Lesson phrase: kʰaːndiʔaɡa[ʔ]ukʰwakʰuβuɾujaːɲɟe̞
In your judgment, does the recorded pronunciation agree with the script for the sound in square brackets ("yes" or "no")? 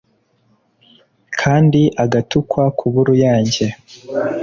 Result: no